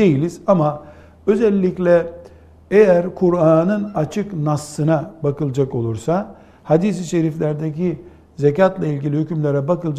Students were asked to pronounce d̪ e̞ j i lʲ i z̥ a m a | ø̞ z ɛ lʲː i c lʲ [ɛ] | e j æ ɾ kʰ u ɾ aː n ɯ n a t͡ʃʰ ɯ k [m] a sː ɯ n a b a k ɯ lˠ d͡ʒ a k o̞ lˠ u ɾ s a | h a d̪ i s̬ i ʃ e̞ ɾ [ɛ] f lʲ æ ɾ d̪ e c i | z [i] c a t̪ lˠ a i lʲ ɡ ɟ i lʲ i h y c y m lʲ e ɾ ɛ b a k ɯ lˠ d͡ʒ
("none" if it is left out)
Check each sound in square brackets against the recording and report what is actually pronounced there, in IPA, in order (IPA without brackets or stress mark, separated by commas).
ɛ, n, i, e